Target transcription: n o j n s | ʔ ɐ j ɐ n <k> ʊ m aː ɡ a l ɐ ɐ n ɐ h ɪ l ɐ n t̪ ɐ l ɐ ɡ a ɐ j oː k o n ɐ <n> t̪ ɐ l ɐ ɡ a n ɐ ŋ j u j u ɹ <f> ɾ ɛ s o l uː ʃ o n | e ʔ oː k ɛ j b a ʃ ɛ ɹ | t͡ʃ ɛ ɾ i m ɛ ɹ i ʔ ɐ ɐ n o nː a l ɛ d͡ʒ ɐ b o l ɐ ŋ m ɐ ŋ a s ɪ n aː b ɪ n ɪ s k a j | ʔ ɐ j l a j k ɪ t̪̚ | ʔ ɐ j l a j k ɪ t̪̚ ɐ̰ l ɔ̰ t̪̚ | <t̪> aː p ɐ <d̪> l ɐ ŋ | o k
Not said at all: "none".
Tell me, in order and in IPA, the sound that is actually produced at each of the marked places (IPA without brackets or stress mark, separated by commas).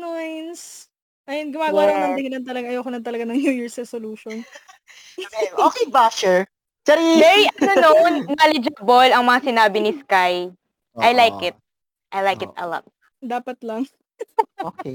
ɡ, n, s, d̪, t̪